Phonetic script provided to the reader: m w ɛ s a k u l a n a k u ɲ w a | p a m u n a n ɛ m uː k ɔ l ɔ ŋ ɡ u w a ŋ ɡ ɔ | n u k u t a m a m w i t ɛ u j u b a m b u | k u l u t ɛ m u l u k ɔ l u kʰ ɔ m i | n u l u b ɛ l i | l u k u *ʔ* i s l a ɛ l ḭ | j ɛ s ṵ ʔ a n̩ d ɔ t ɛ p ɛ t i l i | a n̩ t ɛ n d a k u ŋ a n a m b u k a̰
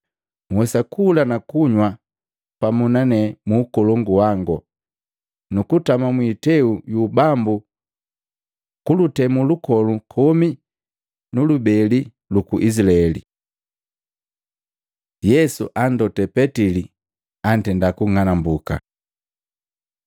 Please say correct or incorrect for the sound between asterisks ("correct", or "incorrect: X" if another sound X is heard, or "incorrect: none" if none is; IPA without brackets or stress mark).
correct